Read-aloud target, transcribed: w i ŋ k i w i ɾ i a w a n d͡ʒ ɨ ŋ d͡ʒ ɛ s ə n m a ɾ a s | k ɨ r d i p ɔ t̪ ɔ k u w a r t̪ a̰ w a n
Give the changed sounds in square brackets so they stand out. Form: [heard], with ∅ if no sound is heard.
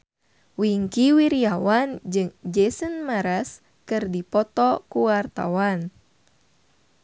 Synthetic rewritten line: w i ŋ k i w i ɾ i a w a n d͡ʒ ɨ ŋ d͡ʒ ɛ s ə n m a ɾ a s | k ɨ r d i p ɔ t̪ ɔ k u w a r t̪ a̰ w a n